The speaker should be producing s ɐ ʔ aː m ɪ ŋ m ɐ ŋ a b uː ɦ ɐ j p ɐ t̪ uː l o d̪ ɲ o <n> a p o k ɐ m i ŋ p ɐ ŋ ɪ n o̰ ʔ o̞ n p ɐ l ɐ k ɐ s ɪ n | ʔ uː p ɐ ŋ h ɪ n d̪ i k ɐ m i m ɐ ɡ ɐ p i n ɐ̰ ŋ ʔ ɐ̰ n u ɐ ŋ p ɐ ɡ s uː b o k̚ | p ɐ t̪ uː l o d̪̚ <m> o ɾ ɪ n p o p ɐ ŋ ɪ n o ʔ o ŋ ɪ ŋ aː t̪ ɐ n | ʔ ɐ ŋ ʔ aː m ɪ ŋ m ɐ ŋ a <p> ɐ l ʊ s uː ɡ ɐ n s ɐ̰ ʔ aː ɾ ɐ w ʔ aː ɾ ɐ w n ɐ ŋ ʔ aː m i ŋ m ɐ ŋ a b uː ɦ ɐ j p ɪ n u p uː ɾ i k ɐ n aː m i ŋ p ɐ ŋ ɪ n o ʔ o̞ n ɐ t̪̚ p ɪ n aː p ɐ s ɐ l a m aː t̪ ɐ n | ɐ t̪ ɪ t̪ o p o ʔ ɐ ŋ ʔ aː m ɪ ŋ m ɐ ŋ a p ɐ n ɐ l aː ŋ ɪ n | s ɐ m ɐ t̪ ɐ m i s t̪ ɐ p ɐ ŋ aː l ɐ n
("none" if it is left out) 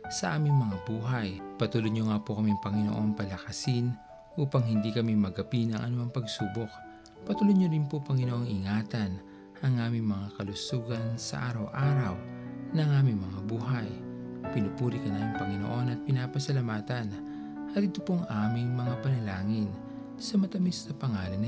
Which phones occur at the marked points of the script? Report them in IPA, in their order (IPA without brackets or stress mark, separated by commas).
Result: ŋ, ɲ, k